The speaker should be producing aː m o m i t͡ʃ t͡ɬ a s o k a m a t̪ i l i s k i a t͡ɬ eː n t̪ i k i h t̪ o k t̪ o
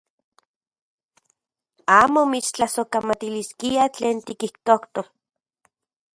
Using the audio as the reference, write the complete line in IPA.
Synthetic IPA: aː m o m i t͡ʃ t͡ɬ a s o k a m a t̪ i l i s k i a t͡ɬ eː n t̪ i k i h t̪ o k t̪ o

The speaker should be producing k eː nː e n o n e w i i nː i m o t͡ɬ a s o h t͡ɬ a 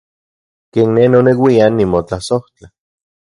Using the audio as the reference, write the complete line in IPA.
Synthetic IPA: k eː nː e n o n e w i a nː i m o t͡ɬ a s o h t͡ɬ a

